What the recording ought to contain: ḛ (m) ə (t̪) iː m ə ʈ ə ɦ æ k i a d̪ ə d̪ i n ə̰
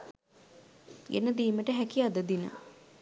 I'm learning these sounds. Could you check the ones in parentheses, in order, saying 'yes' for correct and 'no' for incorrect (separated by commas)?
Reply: no, no